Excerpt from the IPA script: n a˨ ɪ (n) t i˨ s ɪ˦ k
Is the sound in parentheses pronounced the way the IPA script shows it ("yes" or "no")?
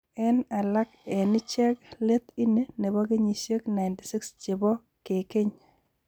yes